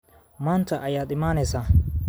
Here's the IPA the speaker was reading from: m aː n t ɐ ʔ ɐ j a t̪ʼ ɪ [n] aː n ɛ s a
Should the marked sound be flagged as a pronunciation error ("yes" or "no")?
yes